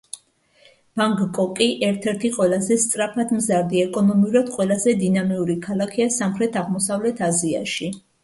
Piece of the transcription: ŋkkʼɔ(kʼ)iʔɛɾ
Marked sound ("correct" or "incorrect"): correct